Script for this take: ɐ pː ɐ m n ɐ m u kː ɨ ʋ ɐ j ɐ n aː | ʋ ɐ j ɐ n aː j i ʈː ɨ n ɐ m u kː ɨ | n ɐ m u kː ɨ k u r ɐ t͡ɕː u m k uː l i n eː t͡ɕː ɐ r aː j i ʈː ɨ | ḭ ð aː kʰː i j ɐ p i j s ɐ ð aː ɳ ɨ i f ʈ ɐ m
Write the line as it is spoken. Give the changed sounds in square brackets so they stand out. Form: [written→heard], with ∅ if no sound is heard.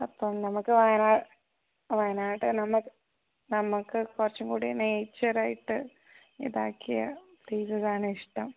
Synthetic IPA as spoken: ɐ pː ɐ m n ɐ m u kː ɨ ʋ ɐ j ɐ n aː | ʋ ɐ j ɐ n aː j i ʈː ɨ n ɐ m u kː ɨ | n ɐ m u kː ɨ k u r ɐ t͡ɕː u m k uː [l→ɽ] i n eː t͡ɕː ɐ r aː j i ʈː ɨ | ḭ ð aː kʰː i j ɐ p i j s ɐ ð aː ɳ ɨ i [f→ʂ] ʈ ɐ m